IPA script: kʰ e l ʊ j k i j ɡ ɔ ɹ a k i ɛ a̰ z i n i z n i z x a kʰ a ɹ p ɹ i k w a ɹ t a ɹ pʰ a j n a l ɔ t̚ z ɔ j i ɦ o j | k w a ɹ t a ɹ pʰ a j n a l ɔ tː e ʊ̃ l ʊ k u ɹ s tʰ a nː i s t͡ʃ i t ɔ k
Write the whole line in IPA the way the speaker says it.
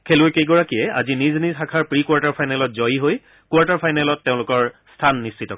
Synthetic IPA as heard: kʰ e l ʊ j k e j ɡ ɔ ɹ a k i ɛ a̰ z i n i z n i z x a kʰ a ɹ p ɹ i k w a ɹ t a ɹ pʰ a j n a l ɔ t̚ z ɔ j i ɦ o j | k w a ɹ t a ɹ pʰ a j n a l ɔ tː e ʊ̃ l ʊ k ɔ ɹ s tʰ a nː i s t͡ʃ i t ɔ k

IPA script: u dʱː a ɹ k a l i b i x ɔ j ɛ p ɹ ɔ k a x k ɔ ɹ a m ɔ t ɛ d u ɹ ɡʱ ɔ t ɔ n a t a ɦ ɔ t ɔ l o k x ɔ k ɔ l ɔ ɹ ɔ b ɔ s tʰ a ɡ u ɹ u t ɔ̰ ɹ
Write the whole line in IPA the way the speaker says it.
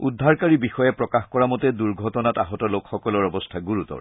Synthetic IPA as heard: u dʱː a ɹ k a ɹ i b i x ɔ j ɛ p ɹ ɔ k a x k ɔ ɹ a m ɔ t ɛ d u ɹ ɡʱ ɔ t ɔ n a t a ɦ ɔ t ɔ l o k x ɔ k ɔ l ɔ ɹ ɔ b ɔ s tʰ a ɡ u ɹ u t ɔ̰ ɹ

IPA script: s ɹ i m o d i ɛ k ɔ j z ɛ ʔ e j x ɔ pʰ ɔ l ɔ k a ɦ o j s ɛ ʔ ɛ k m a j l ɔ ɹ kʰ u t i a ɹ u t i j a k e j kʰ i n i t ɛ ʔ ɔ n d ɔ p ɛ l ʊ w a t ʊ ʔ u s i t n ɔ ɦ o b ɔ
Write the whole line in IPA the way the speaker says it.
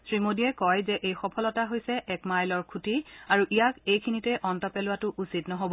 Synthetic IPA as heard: s ɹ i m o d i ɛ k ɔ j z ɛ ʔ e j x ɔ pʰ ɔ l ɔ t a ɦ o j s ɛ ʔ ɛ k m a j l ɔ ɹ kʰ u t i a ɹ u ʔ i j a k e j kʰ i n i t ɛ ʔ ɔ n t ɔ p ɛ l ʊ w a t ʊ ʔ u s i t n ɔ ɦ o b ɔ

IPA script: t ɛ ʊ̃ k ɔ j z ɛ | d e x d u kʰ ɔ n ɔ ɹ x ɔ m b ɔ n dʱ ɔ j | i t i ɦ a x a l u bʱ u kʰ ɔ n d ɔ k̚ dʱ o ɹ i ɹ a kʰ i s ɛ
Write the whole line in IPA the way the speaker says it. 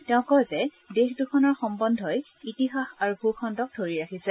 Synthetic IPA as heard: t ɛ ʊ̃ k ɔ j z ɛ | d e x d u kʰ ɔ n ɔ ɹ x ɔ m b ɔ n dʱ ɔ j | i t i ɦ a x a ɹ u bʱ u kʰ ɔ n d ɔ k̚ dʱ o ɹ i ɹ a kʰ i s ɛ

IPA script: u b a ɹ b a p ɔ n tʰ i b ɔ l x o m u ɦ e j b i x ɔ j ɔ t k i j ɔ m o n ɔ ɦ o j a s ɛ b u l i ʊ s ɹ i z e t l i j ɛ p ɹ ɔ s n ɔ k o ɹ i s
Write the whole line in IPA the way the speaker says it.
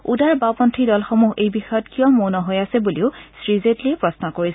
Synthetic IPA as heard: u d a ɹ b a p ɔ n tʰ i d ɔ l x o m u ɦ e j b i x ɔ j ɔ t k i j ɔ m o n ɔ ɦ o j a s ɛ b u l i ʊ s ɹ i z e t l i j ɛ p ɹ ɔ s n ɔ k o ɹ i s

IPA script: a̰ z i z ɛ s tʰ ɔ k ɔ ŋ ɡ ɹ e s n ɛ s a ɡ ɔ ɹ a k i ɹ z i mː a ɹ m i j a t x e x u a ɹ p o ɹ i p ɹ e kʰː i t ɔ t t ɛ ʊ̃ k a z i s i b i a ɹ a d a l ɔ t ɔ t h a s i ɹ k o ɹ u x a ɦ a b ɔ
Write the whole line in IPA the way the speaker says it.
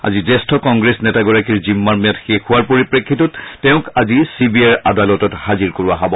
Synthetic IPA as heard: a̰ z i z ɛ s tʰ ɔ k ɔ ŋ ɡ ɹ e s n ɛ t a ɡ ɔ ɹ a k i ɹ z i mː a ɹ m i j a t x e x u a ɹ p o ɹ i p ɹ e kʰː i t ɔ t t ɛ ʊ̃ k a z i s i b i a ɹ a d a l ɔ t ɔ t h a z i ɹ k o ɹ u a ɦ a b ɔ

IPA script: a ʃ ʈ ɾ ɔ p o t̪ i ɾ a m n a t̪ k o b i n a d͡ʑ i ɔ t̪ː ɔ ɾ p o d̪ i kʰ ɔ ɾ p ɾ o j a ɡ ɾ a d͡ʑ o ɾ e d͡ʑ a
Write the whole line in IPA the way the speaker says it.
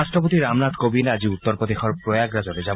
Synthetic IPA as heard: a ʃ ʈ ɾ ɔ p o t̪ i ɾ a m n a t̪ k o b i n a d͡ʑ i u t̪ː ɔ ɾ p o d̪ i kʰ ɔ ɾ p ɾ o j a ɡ ɾ a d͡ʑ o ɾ e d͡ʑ a

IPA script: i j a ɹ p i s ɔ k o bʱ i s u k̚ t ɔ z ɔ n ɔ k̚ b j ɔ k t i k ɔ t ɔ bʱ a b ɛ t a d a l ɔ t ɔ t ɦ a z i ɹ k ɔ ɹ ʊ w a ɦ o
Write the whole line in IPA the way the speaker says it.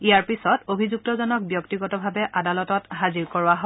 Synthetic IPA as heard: i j a ɹ p i s ɔ t o bʱ i z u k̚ t ɔ z ɔ n ɔ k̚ b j ɔ k t i ɡ ɔ t ɔ bʱ a b ɛ ʔ a d a l ɔ t ɔ t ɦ a z i ɹ k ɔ ɹ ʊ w a ɦ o

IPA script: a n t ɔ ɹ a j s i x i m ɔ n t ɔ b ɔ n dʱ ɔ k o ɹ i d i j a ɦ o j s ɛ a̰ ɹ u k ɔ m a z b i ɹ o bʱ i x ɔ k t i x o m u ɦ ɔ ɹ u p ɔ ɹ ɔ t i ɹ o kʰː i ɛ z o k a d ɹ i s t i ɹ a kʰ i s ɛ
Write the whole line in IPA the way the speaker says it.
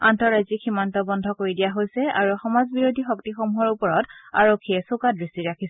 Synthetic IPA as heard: a n t ɔ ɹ a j z i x i m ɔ n t ɔ b ɔ n dʱ ɔ k o ɹ i d i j a ɦ o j s ɛ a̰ ɹ u x ɔ m a z b i ɹ o dʱ i x ɔ k t i x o m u ɦ ɔ ɹ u p ɔ ɹ ɔ t a ɹ o kʰː i ɛ s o k a d ɹ i s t i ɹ a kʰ i s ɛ

